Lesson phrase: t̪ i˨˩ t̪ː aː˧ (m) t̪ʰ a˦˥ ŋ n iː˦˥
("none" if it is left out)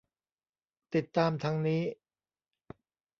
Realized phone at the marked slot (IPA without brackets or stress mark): m